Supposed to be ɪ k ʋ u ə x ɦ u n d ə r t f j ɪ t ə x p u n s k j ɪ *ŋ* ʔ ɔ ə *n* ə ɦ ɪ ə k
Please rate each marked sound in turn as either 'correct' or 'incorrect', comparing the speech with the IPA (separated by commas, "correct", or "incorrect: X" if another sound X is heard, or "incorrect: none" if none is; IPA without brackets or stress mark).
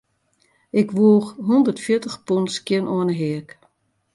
incorrect: n, correct